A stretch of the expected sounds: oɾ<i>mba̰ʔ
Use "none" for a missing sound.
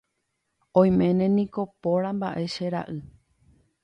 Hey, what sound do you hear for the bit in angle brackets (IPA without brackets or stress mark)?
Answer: a